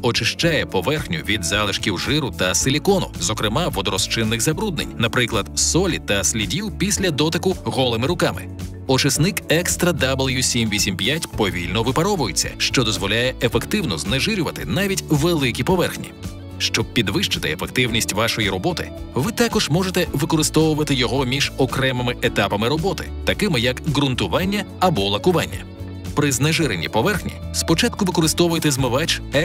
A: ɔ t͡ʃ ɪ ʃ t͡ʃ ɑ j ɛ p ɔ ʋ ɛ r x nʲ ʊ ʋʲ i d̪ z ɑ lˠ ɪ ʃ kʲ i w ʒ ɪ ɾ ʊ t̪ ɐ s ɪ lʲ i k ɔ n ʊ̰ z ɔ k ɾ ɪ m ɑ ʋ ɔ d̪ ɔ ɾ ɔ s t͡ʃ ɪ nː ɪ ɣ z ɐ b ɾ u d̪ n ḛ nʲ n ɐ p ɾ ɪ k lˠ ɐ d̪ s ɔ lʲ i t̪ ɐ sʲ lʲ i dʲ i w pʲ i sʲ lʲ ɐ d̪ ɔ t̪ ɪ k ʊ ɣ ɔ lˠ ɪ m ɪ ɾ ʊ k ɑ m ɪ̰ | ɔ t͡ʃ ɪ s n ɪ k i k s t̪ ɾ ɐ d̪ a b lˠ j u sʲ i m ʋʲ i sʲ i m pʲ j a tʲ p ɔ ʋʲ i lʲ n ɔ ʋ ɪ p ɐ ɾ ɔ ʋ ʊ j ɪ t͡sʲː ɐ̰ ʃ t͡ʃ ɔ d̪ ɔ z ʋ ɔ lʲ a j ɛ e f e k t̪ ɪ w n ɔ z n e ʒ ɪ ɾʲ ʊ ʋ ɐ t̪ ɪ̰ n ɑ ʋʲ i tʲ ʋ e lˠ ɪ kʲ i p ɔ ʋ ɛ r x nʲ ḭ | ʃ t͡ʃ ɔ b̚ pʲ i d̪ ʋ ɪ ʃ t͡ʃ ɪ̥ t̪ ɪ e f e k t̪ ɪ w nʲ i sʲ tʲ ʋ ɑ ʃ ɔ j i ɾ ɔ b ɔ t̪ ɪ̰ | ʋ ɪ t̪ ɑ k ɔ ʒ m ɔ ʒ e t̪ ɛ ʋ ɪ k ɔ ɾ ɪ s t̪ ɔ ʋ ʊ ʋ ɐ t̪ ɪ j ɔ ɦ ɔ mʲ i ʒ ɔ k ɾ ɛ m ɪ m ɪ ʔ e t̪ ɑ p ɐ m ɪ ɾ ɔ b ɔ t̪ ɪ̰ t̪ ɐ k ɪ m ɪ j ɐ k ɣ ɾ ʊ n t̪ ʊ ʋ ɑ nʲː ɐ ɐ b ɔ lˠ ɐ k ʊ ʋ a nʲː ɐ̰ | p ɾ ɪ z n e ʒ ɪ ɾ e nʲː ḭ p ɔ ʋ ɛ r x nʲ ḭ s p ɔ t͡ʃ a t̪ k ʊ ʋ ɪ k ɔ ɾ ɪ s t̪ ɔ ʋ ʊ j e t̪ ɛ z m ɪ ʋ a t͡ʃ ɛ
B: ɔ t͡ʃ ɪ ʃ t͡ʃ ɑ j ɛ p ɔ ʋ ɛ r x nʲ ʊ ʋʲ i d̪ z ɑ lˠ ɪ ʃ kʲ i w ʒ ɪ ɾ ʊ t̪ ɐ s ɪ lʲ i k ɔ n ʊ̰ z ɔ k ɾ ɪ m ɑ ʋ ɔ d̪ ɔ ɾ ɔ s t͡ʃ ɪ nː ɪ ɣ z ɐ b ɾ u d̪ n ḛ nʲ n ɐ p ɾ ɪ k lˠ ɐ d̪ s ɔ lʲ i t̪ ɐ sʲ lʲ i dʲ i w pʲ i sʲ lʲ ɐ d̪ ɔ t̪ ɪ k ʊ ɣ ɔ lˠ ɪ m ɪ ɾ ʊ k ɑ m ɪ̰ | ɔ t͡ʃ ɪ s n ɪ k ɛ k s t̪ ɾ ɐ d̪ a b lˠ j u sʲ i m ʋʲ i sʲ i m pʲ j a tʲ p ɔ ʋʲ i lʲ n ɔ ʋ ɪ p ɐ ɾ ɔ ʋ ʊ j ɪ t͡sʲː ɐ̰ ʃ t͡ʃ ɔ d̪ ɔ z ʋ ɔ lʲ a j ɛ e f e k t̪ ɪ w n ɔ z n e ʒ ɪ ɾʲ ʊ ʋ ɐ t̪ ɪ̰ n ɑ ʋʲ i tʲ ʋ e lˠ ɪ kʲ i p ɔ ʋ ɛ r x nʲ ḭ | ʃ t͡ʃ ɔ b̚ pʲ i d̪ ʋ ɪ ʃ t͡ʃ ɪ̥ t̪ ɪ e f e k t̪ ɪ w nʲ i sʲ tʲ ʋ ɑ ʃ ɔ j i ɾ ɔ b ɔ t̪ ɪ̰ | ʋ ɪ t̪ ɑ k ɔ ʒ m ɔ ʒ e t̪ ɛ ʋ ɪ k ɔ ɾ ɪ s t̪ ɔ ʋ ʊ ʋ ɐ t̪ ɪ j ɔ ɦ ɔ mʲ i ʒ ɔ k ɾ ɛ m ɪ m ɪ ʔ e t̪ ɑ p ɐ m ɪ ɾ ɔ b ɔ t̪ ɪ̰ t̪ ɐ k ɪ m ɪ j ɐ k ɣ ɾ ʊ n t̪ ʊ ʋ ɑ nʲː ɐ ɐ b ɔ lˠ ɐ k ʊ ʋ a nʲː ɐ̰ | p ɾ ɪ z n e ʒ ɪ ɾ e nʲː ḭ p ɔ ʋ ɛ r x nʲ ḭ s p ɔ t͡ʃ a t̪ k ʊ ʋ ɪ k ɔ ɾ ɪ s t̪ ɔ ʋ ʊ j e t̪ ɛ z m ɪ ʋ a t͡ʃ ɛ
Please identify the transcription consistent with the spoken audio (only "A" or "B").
B